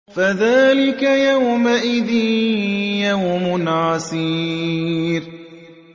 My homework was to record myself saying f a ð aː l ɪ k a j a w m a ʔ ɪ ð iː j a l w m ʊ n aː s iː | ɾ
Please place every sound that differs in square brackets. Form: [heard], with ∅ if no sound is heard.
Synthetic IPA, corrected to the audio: f a ð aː l ɪ k a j a w m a ʔ ɪ ð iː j a [∅] w m ʊ n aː s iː | ɾ